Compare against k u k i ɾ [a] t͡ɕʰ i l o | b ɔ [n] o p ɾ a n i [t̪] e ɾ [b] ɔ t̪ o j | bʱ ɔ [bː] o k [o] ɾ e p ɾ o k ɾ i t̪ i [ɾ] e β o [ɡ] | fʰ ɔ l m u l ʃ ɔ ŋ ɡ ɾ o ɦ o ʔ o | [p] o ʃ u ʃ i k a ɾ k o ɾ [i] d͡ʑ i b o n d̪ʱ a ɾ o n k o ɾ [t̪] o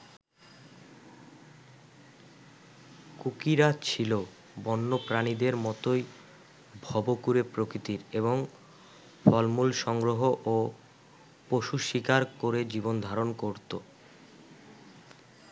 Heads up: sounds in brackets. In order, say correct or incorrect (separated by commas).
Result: correct, incorrect, incorrect, incorrect, incorrect, incorrect, correct, incorrect, correct, incorrect, correct